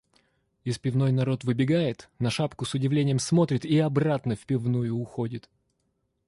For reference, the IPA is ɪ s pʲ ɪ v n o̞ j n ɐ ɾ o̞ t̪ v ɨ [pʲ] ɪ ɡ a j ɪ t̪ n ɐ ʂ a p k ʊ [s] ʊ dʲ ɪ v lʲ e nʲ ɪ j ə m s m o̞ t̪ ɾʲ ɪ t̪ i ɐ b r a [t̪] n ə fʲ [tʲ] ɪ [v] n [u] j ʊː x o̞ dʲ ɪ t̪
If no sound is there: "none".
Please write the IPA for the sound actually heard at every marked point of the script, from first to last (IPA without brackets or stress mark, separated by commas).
bʲ, s, t̪, pʲ, v, u